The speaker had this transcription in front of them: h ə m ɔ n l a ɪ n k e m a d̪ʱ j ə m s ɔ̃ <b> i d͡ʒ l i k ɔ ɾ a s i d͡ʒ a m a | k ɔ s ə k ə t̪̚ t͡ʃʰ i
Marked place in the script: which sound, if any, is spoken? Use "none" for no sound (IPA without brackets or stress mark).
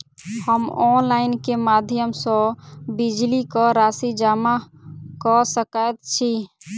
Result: b